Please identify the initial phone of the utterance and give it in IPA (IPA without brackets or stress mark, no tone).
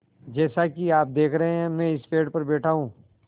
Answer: d͡ʒ